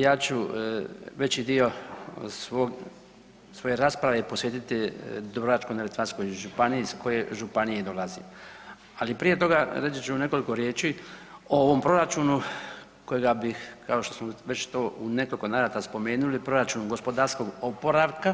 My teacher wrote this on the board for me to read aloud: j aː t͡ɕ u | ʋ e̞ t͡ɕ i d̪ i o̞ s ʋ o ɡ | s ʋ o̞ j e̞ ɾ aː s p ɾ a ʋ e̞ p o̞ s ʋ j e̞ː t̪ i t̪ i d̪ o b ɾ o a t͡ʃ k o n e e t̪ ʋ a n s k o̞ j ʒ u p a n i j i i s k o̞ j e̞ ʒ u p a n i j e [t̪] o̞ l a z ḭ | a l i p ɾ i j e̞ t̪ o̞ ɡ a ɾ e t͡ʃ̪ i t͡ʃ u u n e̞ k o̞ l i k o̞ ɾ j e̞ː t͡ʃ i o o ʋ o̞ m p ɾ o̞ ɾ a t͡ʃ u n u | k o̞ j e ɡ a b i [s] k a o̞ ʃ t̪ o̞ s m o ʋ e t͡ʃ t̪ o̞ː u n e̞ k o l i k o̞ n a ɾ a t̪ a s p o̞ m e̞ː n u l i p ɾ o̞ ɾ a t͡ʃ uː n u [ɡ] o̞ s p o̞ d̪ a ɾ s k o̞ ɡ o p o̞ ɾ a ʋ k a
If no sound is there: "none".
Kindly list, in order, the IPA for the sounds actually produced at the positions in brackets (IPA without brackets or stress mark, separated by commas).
d̪, x, ɡ